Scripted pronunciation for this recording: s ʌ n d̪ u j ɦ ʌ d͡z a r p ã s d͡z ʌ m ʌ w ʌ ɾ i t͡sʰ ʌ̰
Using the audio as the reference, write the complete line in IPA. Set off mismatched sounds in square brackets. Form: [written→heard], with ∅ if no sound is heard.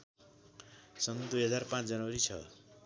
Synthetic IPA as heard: s ʌ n d̪ u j ɦ ʌ d͡z a r p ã [s→t͡s] d͡z ʌ [m→n] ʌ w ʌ ɾ i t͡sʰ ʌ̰